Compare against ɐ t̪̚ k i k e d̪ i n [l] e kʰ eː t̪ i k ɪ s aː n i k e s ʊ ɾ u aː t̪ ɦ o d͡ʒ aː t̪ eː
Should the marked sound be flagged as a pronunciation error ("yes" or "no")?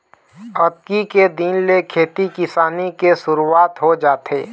no